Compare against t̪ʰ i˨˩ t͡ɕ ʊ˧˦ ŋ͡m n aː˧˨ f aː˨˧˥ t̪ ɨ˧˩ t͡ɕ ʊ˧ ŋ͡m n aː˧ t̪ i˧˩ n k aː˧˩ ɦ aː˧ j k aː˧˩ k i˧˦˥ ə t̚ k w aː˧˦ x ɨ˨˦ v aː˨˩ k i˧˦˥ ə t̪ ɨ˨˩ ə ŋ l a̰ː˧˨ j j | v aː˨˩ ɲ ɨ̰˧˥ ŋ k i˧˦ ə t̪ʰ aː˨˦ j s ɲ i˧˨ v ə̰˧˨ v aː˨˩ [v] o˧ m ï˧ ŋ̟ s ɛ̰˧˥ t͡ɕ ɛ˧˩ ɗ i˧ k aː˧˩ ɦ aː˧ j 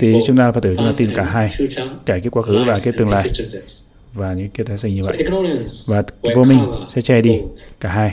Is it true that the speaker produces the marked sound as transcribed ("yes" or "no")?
yes